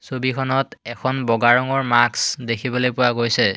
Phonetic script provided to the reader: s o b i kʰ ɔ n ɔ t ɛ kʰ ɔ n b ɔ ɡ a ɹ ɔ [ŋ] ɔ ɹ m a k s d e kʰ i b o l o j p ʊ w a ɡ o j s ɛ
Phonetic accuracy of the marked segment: correct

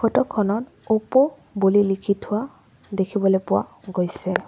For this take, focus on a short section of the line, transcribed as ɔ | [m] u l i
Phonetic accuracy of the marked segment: incorrect: b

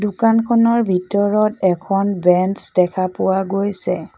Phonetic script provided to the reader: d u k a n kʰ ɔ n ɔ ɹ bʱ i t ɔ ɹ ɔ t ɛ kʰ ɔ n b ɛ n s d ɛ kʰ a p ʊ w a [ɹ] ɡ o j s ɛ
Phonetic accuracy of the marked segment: incorrect: none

